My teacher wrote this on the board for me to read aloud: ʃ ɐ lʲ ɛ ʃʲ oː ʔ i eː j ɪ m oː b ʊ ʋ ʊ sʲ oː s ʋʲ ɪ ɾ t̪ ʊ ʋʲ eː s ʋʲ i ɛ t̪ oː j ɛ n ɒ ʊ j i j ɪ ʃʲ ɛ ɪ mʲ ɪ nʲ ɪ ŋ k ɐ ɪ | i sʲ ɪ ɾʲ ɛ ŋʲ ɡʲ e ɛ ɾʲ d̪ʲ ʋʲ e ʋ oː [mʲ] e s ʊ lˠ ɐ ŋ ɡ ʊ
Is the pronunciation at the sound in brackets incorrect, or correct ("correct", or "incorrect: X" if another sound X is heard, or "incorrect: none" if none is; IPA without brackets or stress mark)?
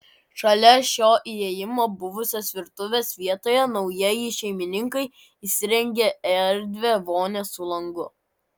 incorrect: nʲ